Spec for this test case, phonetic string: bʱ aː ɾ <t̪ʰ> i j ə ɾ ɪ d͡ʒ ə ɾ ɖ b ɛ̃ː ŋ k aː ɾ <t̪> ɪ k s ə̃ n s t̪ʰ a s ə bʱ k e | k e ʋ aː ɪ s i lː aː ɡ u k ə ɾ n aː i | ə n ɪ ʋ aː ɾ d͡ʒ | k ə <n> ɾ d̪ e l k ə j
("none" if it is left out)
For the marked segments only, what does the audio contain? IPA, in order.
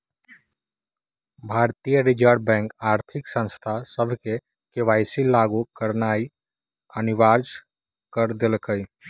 t̪, t̪ʰ, none

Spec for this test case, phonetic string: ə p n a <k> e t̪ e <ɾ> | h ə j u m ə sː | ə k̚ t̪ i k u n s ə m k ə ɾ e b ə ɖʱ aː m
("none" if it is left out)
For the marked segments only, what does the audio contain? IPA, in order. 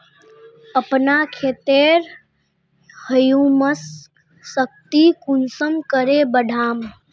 kʰ, ɾ

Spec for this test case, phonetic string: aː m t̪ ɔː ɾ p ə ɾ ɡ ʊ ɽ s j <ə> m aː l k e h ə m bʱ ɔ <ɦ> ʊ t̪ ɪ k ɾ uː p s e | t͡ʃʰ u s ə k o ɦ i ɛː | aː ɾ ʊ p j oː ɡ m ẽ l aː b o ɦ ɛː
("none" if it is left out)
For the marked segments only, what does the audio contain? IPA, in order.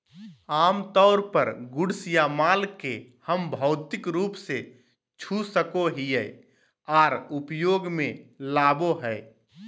a, none

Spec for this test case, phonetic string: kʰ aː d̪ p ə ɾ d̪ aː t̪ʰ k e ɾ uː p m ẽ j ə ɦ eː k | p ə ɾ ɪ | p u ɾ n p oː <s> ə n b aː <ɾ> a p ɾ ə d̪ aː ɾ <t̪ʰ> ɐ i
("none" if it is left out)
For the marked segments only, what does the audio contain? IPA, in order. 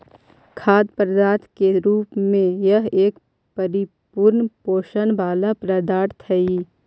ʃ, l, t̪ʰ

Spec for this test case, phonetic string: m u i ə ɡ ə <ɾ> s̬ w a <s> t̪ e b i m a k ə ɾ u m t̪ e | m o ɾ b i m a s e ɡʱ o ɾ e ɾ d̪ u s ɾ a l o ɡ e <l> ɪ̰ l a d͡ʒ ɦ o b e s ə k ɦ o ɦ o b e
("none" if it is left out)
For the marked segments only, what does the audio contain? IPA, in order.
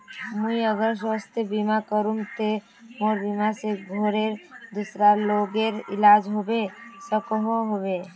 ɾ, s, ɾ

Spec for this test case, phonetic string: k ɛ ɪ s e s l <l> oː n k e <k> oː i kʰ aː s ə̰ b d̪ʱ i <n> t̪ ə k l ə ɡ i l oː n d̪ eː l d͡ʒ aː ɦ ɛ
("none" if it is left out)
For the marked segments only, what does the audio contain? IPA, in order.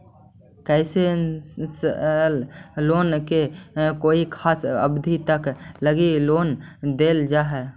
l, k, none

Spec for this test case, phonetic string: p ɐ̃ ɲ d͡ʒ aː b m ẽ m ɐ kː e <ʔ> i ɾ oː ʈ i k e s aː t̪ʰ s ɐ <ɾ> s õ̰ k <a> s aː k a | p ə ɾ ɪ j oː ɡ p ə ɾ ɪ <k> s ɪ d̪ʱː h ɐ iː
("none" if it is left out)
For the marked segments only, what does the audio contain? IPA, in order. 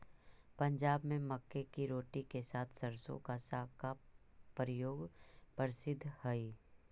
k, ɾ, a, none

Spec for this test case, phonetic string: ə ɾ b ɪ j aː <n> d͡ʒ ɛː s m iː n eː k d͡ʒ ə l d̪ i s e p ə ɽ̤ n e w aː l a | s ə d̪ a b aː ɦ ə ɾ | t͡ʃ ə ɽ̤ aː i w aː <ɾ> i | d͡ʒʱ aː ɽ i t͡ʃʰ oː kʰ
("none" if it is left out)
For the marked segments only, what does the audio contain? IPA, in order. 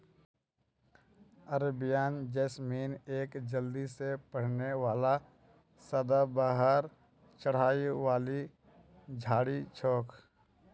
n, l

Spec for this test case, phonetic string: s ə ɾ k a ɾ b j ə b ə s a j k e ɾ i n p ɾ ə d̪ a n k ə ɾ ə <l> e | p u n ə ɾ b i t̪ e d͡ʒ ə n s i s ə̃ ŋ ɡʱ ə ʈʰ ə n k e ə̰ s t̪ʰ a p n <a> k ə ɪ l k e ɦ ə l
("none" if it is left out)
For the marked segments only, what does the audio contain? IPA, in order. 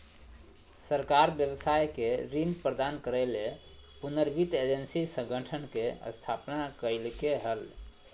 l, a

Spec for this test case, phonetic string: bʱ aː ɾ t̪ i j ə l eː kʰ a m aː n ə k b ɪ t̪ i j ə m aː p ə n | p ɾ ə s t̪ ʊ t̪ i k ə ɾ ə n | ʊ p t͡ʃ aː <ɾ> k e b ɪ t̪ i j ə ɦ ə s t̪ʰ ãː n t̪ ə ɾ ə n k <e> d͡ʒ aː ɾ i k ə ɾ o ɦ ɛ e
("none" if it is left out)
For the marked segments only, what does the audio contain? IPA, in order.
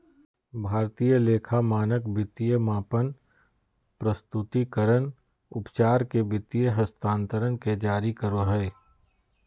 ɾ, e

